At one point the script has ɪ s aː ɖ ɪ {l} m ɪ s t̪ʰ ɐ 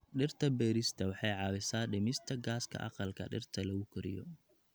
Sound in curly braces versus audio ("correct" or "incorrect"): incorrect